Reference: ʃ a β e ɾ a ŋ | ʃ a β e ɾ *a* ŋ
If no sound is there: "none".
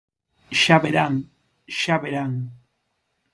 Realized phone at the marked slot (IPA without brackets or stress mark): a